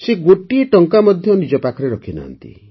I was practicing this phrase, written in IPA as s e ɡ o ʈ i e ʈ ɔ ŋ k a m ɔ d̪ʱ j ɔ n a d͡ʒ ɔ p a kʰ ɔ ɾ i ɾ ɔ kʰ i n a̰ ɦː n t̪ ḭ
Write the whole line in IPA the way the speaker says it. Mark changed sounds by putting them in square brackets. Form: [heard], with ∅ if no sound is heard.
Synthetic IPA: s e ɡ o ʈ i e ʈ ɔ ŋ k a m ɔ d̪ʱ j ɔ n [i] d͡ʒ ɔ p a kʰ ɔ ɾ [e] ɾ ɔ kʰ i n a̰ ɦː n t̪ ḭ